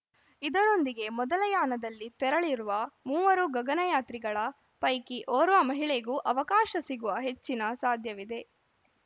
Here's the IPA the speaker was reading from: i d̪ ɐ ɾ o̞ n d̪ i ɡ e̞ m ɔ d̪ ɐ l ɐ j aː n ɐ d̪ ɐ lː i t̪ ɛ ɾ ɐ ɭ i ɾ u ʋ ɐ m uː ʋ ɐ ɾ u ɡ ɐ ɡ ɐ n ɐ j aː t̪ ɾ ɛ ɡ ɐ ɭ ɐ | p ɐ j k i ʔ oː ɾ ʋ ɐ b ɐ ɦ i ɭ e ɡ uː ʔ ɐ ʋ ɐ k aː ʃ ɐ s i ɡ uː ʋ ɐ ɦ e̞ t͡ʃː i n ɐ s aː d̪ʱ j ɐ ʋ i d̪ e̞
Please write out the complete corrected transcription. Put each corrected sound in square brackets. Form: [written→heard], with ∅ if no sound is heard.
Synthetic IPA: i d̪ ɐ ɾ o̞ n d̪ i ɡ e̞ m ɔ d̪ ɐ l ɐ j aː n ɐ d̪ ɐ lː i t̪ ɛ ɾ ɐ ɭ i ɾ u ʋ ɐ m uː ʋ ɐ ɾ u ɡ ɐ ɡ ɐ n ɐ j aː t̪ ɾ [ɛ→i] ɡ ɐ ɭ ɐ | p ɐ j k i ʔ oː ɾ ʋ ɐ [b→m] ɐ ɦ i ɭ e ɡ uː ʔ ɐ ʋ ɐ k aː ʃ ɐ s i ɡ [uː→u] ʋ ɐ ɦ e̞ t͡ʃː i n ɐ s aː d̪ʱ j ɐ ʋ i d̪ e̞